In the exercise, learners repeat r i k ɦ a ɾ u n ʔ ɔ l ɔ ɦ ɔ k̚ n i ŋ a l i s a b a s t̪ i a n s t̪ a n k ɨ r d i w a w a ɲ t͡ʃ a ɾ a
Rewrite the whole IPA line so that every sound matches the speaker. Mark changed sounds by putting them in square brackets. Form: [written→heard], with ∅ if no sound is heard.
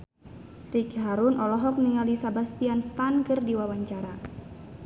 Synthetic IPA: r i k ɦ a ɾ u n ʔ ɔ l ɔ ɦ ɔ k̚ n i ŋ a l i s a b a s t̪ i a n s t̪ a n k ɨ r d i w a w a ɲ t͡ʃ a ɾ a